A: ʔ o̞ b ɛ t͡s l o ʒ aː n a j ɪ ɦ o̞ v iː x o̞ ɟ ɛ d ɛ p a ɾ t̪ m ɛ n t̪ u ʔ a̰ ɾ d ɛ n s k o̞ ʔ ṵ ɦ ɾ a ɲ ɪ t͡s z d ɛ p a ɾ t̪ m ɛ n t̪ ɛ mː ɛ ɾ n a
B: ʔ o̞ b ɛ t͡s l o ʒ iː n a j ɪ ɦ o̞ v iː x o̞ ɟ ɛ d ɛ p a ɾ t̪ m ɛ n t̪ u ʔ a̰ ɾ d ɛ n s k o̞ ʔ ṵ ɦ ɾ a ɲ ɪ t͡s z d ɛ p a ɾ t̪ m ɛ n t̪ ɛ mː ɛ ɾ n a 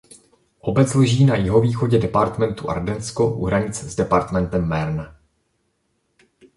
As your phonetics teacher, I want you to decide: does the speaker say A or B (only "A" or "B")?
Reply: B